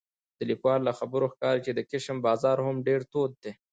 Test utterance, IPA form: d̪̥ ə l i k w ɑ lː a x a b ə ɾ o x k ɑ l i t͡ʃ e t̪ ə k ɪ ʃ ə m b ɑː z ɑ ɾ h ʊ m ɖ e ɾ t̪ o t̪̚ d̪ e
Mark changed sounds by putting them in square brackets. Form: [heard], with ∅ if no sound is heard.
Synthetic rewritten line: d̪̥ ə l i k w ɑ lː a x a b ə ɾ o x k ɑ [ɾ] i t͡ʃ e [d̪] ə k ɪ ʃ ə m b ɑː z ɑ ɾ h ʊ m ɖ e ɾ t̪ o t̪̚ d̪ e